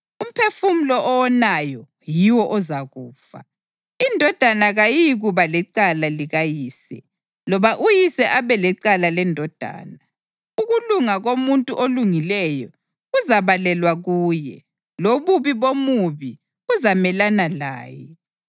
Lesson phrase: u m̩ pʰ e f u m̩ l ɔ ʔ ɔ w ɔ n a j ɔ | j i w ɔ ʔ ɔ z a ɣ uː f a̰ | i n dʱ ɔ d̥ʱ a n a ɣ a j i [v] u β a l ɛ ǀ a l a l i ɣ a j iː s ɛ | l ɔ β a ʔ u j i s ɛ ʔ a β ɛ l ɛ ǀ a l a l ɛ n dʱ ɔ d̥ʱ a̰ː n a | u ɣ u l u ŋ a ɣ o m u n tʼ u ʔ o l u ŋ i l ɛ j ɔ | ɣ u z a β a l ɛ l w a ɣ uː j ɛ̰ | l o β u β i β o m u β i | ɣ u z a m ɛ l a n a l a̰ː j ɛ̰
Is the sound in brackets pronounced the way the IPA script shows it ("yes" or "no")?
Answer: no